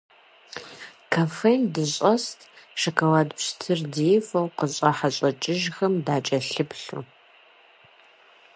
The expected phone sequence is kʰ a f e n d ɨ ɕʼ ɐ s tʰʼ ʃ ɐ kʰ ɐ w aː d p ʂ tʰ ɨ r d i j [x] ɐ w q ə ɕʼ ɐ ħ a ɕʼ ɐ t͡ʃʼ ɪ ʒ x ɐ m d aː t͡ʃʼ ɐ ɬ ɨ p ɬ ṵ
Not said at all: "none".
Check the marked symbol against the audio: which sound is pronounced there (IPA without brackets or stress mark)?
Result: f